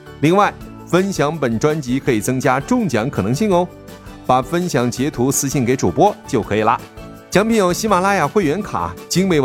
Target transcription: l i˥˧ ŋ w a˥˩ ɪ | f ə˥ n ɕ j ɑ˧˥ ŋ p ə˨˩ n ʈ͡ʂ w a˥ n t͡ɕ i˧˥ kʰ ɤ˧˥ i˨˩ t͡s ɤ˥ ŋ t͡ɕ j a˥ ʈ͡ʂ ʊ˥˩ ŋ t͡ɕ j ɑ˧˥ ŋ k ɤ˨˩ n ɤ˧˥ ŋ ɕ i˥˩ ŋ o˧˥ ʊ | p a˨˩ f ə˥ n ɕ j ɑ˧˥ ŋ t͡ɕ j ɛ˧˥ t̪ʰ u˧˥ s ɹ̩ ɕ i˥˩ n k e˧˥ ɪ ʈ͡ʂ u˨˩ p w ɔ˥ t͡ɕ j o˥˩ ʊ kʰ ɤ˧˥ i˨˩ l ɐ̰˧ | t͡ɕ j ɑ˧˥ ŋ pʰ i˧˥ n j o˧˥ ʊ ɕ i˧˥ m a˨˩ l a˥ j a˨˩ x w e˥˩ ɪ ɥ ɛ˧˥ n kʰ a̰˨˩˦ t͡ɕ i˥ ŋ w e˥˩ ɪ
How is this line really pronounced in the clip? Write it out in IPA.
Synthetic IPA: l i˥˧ ŋ w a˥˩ ɪ | f ə˥ n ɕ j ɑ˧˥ ŋ p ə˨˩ n ʈ͡ʂ w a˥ n t͡ɕ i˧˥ kʰ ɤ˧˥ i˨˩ t͡s ɤ˥ ŋ t͡ɕ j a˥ ʈ͡ʂ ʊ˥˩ ŋ t͡ɕ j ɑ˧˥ ŋ kʰ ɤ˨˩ n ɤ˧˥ ŋ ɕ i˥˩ ŋ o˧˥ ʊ | p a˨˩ f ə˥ n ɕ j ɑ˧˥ ŋ t͡ɕ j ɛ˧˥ t̪ʰ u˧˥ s ɹ̩ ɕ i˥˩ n k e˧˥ ɪ ʈ͡ʂ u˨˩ p w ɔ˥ t͡ɕ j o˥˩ ʊ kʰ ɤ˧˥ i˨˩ l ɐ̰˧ | t͡ɕ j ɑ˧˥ ŋ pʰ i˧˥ n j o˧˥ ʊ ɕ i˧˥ m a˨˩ l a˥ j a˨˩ x w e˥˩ ɪ ɥ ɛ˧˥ n kʰ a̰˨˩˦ t͡ɕ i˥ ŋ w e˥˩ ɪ